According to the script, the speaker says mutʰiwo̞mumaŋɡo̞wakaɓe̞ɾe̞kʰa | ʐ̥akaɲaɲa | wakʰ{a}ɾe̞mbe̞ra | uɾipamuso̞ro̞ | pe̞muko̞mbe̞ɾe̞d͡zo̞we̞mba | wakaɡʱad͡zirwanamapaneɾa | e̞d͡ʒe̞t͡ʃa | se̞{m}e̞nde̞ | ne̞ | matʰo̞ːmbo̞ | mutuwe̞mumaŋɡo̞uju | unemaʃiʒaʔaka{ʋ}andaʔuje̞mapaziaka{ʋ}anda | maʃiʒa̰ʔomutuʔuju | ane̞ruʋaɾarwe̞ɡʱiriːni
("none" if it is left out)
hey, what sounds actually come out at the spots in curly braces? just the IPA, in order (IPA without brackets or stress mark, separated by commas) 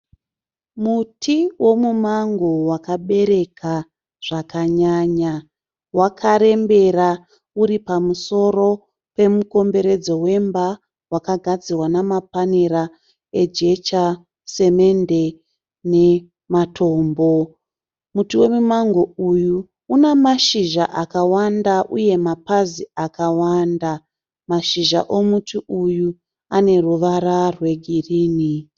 a, m, w, w